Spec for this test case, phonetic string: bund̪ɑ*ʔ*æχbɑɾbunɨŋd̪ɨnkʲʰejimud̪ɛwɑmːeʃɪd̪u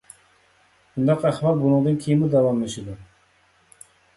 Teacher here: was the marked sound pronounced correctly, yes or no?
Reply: no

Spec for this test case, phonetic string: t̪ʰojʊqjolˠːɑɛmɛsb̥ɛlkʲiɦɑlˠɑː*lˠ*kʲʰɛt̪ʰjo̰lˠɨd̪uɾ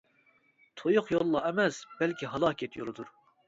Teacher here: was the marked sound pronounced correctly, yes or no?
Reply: no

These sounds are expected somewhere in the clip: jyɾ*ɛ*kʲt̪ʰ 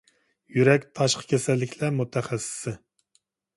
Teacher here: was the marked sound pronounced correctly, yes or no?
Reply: yes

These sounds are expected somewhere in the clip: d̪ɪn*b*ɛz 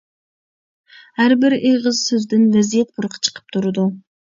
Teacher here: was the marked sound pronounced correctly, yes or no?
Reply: no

